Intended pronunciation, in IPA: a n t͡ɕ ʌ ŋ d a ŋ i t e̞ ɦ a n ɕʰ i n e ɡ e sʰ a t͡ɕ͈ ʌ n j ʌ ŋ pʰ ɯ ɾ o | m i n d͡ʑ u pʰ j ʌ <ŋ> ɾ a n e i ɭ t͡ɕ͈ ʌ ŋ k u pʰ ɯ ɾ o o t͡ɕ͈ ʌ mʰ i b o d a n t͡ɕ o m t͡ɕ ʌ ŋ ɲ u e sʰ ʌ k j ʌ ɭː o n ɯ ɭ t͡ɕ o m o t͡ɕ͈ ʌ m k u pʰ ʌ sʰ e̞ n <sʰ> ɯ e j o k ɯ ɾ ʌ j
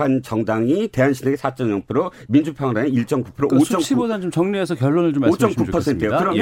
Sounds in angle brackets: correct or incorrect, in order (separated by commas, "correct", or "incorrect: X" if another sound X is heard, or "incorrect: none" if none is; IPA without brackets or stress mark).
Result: correct, incorrect: tʰ